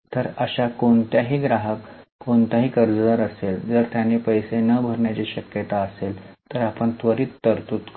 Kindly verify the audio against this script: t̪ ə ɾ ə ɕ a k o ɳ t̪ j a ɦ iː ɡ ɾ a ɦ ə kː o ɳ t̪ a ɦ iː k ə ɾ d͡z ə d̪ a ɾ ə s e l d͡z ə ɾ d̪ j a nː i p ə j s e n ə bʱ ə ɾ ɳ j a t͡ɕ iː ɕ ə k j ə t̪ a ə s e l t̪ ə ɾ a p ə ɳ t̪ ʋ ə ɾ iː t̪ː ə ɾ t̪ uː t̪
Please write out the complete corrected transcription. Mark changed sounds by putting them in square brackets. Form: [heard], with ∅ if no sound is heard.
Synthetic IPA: t̪ ə ɾ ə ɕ a k o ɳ t̪ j a ɦ iː ɡ ɾ a ɦ ə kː o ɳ t̪ a ɦ iː k ə ɾ d͡z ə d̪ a ɾ ə s e l d͡z ə ɾ [t̪] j a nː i p ə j s e n ə bʱ ə ɾ ɳ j a t͡ɕ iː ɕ ə k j ə t̪ a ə s e l t̪ ə ɾ a p ə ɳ t̪ ʋ ə ɾ iː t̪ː ə ɾ t̪ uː t̪

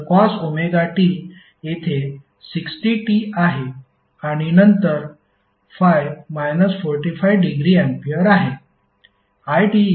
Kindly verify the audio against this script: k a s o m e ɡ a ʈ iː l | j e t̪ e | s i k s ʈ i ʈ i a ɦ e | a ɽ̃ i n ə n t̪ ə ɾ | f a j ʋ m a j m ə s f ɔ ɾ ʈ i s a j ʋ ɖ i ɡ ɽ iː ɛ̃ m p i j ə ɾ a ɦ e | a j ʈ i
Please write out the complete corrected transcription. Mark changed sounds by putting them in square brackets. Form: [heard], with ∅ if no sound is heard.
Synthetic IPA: k a s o m e ɡ a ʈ iː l | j e [t̪ʰ] e | s i k s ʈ i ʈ i a ɦ e | a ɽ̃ i n ə n t̪ ə ɾ | f a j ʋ m a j [n] ə s f ɔ ɾ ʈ i [f] a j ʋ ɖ i ɡ [ɾ] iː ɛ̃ m p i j ə ɾ a ɦ e | a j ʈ i

